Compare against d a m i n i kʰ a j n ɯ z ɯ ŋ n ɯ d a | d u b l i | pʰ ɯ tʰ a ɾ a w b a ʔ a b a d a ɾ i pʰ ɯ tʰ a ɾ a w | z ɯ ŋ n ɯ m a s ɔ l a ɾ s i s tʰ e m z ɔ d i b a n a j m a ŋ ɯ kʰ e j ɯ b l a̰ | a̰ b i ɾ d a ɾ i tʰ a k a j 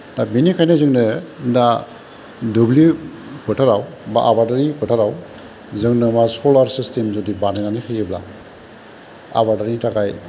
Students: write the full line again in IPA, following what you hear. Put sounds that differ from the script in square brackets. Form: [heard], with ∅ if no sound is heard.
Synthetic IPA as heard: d a [b] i n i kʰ a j n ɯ z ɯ ŋ n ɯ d a | d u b l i | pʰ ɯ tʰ a ɾ a w b a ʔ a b a d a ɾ i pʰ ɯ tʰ a ɾ a w | z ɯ ŋ n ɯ m a s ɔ l a ɾ s i s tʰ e m z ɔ d i b a n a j [n] a [n] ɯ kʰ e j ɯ b l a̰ | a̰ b [a] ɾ d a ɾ i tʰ a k a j